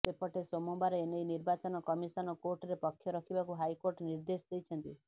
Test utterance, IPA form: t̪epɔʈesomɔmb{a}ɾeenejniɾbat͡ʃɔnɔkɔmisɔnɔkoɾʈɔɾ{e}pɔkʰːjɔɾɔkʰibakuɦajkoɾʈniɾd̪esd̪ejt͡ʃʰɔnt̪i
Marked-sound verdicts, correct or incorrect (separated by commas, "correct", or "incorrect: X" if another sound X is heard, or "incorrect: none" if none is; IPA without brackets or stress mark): correct, correct